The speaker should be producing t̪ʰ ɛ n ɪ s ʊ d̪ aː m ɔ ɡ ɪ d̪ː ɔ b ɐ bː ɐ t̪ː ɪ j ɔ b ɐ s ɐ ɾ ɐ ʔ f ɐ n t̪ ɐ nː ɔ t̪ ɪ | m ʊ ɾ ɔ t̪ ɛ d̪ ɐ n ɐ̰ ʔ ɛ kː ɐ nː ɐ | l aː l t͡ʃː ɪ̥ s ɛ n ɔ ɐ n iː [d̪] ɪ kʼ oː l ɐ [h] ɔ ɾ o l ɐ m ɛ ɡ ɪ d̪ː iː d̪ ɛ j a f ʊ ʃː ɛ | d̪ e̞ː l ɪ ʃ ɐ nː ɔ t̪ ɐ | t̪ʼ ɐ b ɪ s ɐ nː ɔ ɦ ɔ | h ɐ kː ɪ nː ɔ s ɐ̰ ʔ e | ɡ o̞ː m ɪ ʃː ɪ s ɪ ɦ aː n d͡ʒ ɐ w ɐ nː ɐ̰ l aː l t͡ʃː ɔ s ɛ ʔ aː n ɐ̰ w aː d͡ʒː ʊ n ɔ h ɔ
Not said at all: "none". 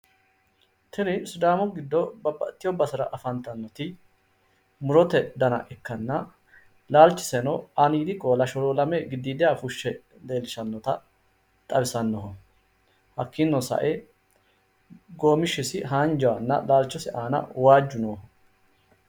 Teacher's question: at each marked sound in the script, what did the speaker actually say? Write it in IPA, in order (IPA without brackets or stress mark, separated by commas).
d̪, ʃ